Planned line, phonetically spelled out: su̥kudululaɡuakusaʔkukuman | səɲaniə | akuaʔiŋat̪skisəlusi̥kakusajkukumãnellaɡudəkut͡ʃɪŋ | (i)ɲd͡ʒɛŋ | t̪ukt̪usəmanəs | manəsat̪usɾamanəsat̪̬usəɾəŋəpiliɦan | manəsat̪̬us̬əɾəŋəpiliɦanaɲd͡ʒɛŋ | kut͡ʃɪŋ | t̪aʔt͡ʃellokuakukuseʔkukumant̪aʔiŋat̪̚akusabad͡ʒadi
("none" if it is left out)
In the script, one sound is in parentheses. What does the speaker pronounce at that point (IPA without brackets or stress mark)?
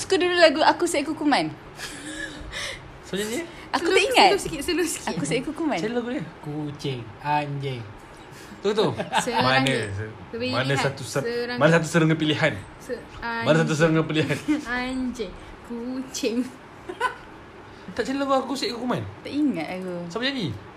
a